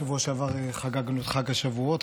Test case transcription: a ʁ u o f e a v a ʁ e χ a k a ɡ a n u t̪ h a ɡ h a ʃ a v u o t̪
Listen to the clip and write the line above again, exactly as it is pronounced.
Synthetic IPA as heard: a v u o ʃ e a v a ʁ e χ a ɡ a ɡ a n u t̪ χ a ɡ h a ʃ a v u o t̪